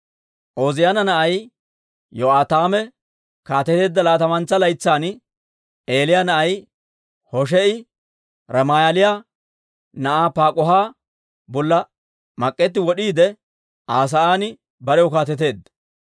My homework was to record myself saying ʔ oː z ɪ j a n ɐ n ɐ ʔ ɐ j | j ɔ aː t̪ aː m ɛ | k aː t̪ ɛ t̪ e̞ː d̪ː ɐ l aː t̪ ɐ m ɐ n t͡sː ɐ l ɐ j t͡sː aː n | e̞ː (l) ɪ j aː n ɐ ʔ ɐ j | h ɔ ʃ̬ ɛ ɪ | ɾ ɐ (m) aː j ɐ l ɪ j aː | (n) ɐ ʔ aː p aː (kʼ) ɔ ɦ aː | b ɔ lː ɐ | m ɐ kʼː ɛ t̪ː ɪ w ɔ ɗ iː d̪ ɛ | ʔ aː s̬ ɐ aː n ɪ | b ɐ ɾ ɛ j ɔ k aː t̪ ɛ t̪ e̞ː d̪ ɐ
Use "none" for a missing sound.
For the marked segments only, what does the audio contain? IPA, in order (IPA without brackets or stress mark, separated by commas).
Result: l, m, n, kʼ